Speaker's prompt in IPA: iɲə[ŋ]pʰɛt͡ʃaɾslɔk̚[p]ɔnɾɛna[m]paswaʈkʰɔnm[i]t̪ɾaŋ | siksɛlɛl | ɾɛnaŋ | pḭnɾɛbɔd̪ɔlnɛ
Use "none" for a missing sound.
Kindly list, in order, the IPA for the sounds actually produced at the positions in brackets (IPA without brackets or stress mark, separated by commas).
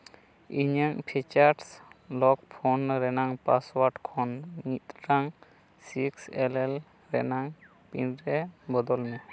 ŋ, pʰ, ŋ, i